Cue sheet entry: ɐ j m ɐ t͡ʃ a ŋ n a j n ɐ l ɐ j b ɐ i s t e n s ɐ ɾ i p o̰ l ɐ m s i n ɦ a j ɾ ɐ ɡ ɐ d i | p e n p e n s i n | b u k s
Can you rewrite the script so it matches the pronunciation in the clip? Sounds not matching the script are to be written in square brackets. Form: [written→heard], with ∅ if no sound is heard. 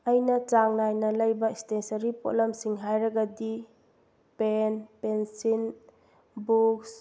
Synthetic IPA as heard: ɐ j [m→n] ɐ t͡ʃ a ŋ n a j n ɐ l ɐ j b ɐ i s t e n s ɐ ɾ i p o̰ l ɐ m s i [n→ŋ] ɦ a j ɾ ɐ ɡ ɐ d i | p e n p e n s i n | b u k s